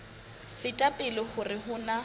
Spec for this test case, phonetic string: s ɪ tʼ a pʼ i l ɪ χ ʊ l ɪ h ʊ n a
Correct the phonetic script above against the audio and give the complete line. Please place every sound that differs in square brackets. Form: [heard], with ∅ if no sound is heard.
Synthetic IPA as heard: [f] ɪ tʼ a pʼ [ɪ] l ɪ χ ʊ [r] ɪ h ʊ n a